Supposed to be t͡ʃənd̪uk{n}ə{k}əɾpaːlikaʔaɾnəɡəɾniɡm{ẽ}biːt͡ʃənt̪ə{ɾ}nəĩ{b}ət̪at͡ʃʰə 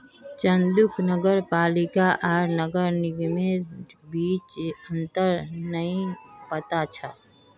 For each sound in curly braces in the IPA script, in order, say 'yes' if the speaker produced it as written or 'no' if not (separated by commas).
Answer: yes, no, no, yes, no